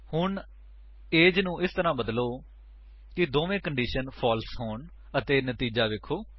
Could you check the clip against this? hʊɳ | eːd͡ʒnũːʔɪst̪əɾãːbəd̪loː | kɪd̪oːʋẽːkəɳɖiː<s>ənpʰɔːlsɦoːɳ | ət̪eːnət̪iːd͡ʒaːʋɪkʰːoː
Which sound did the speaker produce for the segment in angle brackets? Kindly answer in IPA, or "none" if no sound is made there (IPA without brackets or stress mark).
ʃ